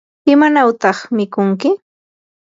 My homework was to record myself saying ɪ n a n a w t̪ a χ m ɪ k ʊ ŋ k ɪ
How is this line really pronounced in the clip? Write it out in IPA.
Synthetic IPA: ɪ m a n a w t̪ ɑ χ m ɪ k ʊ ŋ k ɪ

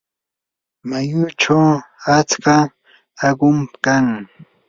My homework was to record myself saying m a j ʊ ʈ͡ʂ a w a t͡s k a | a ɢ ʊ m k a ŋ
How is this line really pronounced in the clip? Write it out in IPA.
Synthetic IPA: m a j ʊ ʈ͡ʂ a w a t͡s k a | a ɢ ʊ m k a ŋ

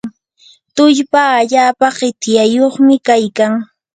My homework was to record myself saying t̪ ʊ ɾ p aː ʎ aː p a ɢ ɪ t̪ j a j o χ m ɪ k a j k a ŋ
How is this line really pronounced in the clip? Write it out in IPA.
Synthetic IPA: t̪ ʊ ʎ p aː ʎ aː p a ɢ ɪ t̪ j a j o χ m ɪ k a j k a ŋ

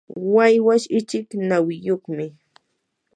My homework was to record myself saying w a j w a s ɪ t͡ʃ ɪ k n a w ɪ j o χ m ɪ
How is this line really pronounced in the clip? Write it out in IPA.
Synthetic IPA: w a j w a ʃ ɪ t͡ʃ ɪ k n a w ɪ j o χ m ɪ

